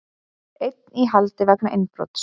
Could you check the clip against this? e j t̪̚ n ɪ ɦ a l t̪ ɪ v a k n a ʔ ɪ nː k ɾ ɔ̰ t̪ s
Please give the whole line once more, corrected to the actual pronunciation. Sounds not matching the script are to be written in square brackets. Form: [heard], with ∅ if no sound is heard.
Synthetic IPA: e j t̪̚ n [i] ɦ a l t̪ ɪ v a k n a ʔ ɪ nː [p] ɾ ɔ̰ t̪ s

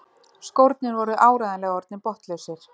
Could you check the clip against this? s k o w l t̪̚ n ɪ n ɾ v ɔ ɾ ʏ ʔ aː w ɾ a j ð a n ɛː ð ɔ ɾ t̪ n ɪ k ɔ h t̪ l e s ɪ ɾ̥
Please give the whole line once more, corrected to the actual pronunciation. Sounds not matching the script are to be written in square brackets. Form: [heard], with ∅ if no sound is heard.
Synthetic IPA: s k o w [ɾ] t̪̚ n ɪ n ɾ v ɔ ɾ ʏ ʔ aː w ɾ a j ð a n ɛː [ɣ] ɔ ɾ t̪ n ɪ [p] ɔ h t̪ l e s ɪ ɾ̥

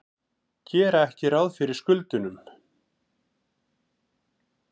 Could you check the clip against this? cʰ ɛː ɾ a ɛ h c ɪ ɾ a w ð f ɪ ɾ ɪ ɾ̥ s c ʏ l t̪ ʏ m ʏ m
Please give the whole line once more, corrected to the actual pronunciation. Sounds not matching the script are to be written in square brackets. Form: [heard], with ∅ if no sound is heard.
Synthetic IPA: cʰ ɛː ɾ a ɛ h c ɪ ɾ a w ð f ɪ ɾ ɪ ɾ̥ s [k] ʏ l t̪ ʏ [n] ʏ m

